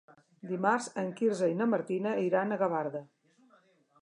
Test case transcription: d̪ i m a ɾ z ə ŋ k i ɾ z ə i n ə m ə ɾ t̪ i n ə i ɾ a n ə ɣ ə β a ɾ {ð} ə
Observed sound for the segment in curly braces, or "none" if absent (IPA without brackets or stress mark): ð